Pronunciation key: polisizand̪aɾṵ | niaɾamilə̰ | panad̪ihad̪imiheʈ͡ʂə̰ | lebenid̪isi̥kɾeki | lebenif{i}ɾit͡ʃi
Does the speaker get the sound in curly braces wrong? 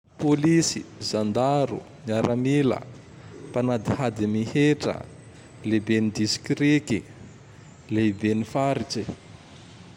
yes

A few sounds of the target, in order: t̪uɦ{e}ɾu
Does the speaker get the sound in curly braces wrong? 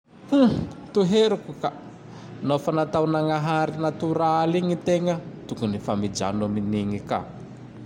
no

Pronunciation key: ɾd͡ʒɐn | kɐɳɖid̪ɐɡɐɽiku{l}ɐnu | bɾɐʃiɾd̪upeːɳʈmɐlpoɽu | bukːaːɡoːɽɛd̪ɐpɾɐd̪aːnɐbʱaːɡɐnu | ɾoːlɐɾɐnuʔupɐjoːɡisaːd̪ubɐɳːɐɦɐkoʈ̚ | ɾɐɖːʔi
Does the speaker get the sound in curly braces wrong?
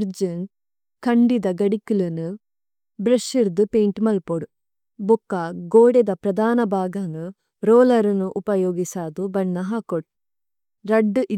no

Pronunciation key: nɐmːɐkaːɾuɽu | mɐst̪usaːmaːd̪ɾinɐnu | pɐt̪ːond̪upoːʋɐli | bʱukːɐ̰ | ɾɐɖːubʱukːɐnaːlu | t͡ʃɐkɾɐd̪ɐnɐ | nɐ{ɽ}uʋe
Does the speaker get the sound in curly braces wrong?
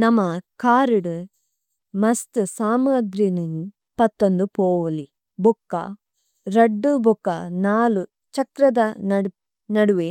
no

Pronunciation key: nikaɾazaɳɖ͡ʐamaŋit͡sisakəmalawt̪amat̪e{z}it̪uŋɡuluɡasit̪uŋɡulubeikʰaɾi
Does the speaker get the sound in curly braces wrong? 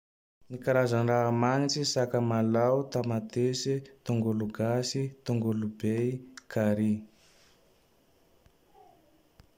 yes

